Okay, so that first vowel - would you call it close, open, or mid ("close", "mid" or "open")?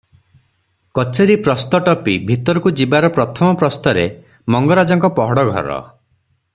mid